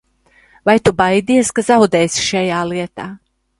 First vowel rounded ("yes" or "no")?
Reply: no